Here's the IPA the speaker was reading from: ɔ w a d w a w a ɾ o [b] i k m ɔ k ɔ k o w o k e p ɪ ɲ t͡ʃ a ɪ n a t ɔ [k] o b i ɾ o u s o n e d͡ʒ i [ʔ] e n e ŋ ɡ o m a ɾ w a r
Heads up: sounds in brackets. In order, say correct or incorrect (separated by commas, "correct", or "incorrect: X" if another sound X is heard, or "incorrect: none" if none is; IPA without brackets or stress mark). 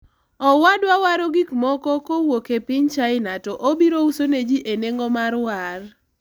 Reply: incorrect: ɡ, incorrect: ʔ, correct